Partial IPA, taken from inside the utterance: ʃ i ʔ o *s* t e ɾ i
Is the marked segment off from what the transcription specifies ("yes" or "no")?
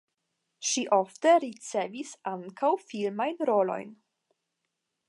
yes